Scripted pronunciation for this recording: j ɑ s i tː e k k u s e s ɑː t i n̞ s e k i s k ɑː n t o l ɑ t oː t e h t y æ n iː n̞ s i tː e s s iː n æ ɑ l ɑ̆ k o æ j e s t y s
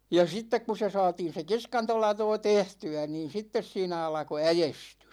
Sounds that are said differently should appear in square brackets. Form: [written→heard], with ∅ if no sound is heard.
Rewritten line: j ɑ s i tː e k k u s e s ɑː t i n̞ s e k i s k [ɑː→ɑ] n t o l ɑ t oː t e h t y æ n iː n̞ s i tː e s s iː n æ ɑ l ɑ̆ k o æ j e s t y s